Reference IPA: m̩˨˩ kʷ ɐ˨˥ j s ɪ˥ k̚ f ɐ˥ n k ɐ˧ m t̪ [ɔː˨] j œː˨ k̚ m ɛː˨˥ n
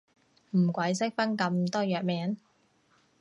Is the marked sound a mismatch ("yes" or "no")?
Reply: yes